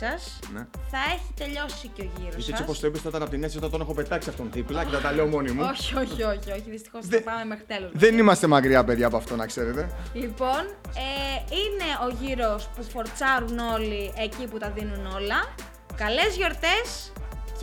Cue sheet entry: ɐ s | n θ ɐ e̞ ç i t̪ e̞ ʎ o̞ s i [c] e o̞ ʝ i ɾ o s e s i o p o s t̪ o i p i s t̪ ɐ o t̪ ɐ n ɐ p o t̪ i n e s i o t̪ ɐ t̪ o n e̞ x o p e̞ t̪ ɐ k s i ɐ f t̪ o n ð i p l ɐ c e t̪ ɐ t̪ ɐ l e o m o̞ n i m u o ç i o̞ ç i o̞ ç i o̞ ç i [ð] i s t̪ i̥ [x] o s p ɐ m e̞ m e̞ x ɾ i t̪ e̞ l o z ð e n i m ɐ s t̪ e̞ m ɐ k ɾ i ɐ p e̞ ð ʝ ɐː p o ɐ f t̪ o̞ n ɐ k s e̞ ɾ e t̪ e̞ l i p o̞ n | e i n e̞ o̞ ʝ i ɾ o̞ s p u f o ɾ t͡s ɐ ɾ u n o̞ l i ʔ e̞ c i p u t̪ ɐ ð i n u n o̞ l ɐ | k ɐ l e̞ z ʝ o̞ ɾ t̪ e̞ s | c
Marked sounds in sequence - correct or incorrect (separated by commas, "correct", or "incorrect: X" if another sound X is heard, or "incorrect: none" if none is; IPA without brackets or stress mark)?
correct, correct, correct